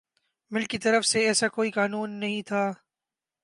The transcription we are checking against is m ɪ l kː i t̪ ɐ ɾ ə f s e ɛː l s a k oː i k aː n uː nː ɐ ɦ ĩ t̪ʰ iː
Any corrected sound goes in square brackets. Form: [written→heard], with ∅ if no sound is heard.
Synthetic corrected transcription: m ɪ l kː i t̪ ɐ ɾ ə f s e ɛː [l→∅] s a k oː i k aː n uː nː ɐ ɦ ĩ t̪ʰ [iː→aː]